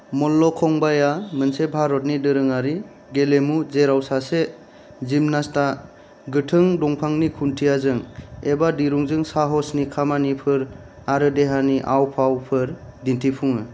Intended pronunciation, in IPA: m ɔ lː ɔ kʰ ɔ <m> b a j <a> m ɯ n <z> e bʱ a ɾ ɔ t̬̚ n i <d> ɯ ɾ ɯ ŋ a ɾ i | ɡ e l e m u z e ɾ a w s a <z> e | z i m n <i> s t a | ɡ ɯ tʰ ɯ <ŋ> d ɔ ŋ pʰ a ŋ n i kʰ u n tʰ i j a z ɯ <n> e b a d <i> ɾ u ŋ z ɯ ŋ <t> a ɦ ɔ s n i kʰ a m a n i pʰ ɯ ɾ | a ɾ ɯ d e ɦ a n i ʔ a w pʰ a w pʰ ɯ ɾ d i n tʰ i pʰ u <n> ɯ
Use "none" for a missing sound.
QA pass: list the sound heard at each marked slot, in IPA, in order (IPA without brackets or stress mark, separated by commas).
ŋ, a, s, d, s, a, ŋ, ŋ, i, s, ŋ